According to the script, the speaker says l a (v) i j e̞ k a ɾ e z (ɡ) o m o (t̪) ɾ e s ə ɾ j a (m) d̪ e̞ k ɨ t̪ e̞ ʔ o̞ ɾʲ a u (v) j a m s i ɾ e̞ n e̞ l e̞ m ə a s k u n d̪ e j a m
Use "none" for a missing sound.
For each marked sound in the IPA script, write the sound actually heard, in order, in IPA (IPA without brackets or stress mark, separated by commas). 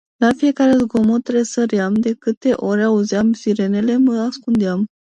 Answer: f, ɡ, t̪, m, z